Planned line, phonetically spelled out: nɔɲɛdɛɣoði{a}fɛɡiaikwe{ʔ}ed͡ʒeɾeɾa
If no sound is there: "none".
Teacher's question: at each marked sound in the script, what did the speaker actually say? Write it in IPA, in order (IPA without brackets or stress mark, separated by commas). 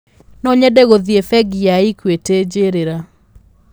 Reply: e, t